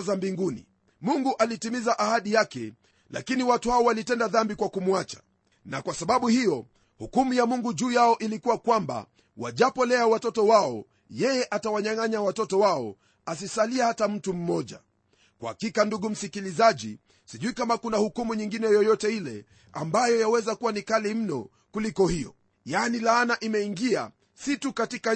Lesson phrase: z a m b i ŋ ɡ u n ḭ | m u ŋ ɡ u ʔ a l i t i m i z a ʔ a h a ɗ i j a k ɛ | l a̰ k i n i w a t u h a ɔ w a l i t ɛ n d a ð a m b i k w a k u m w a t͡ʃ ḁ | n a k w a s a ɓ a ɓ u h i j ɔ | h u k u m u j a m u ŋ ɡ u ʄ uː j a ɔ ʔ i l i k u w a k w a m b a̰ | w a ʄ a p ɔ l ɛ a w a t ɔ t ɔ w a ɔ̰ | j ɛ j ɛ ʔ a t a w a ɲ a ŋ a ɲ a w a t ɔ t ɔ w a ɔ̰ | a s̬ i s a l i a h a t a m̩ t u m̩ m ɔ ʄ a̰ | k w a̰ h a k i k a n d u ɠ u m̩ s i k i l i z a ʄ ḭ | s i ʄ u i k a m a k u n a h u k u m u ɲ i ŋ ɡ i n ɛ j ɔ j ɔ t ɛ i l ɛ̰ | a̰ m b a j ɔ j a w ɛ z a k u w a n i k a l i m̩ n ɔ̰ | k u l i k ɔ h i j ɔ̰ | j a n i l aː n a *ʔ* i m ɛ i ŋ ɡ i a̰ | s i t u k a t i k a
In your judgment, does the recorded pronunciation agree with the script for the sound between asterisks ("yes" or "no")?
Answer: yes